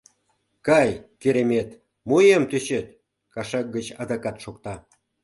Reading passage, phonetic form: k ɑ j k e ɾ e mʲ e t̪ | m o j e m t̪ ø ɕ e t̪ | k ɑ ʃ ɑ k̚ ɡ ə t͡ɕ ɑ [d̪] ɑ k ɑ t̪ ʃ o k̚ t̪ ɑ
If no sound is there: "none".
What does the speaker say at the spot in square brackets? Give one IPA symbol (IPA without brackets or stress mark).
d̪